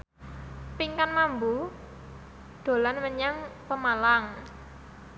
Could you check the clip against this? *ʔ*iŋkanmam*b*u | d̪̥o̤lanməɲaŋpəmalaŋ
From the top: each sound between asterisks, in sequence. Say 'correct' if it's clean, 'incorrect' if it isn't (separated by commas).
incorrect, correct